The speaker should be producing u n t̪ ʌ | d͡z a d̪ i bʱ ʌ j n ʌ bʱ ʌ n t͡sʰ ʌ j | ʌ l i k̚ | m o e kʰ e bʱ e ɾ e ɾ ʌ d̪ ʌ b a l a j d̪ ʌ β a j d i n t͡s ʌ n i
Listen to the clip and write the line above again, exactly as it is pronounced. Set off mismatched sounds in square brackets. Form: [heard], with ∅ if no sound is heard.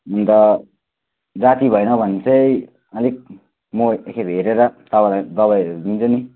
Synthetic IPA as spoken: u n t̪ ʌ | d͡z a [t̪] i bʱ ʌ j n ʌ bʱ ʌ n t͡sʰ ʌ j | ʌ l i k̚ | m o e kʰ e bʱ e ɾ e ɾ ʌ [t̪] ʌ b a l a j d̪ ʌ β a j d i n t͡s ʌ n i